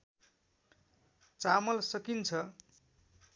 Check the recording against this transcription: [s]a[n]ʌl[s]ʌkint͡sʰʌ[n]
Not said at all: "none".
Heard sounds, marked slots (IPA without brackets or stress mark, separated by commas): t͡s, m, s, none